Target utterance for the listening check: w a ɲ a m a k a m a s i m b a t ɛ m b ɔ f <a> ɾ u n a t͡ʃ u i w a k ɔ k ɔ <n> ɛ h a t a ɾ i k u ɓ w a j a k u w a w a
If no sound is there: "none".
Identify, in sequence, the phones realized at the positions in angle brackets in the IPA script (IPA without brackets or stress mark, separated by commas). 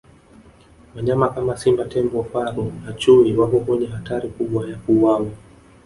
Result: a, ɲ